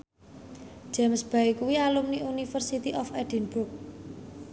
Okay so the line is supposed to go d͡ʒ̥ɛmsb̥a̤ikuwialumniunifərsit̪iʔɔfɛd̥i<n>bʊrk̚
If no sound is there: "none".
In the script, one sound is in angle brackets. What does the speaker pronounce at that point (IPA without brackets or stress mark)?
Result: n